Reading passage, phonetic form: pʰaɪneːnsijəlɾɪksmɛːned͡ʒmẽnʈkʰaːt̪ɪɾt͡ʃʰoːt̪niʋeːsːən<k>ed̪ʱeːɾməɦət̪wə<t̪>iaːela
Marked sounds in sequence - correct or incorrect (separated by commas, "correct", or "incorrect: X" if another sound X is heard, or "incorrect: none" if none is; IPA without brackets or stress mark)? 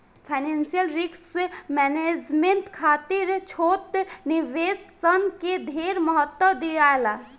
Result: correct, incorrect: d̪